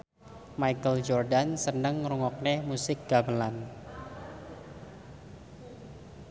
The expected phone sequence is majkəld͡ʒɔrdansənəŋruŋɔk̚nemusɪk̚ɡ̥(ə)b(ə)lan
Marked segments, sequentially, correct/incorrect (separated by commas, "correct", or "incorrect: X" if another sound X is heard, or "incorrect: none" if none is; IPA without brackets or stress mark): incorrect: a, correct